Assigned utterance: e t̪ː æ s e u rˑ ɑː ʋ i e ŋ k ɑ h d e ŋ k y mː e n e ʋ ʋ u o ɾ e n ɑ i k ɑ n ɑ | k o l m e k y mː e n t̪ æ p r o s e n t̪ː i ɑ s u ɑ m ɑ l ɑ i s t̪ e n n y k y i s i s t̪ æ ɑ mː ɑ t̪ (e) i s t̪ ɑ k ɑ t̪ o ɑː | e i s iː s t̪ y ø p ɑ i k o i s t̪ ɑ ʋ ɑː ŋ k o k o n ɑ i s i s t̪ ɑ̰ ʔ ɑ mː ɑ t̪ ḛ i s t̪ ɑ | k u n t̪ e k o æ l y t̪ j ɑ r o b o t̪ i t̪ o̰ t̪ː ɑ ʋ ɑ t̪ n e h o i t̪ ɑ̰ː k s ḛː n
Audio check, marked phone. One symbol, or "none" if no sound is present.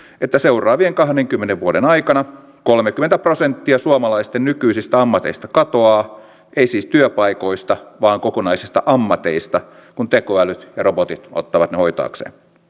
e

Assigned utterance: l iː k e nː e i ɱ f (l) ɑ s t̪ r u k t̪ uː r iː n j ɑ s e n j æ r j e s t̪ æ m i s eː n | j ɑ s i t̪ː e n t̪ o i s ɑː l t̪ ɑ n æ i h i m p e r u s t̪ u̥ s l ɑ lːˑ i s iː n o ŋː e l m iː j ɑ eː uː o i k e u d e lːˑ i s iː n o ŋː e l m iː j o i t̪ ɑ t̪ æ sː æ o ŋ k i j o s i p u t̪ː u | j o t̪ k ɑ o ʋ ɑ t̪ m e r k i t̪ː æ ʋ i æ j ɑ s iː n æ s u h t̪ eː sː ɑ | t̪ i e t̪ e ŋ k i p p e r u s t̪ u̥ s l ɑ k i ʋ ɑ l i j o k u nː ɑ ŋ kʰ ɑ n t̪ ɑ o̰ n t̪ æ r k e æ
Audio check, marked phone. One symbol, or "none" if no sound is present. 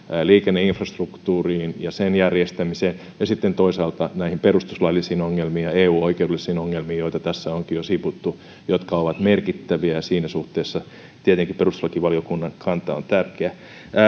r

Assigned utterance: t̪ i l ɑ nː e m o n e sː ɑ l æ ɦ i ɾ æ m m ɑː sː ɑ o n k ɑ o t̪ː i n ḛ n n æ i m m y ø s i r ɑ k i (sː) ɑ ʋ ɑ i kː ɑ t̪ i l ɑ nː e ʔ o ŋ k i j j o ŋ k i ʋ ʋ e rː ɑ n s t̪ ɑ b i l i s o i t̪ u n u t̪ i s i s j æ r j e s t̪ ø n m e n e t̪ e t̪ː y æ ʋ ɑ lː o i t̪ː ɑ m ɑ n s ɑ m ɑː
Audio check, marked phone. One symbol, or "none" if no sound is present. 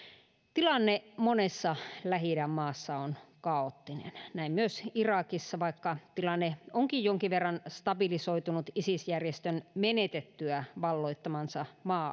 sː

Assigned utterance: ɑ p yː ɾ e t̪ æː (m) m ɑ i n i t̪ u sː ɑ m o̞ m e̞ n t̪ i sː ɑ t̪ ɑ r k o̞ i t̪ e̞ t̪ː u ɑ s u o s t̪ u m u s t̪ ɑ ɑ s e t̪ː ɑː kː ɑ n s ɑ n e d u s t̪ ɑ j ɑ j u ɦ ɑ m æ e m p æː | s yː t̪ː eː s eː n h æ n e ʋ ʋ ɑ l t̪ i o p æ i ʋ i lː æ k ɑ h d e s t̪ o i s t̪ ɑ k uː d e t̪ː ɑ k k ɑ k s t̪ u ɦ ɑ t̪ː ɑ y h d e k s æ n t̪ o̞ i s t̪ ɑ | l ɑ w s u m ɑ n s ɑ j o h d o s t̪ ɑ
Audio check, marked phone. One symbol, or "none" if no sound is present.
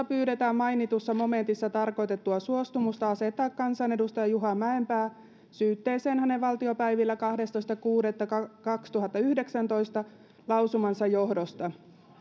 m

